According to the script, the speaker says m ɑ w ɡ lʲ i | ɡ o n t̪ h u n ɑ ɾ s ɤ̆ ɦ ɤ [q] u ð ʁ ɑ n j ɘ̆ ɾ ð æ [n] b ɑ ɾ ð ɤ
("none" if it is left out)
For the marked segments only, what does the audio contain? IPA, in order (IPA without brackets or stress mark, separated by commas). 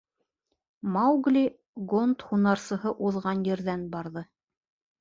ʔ, n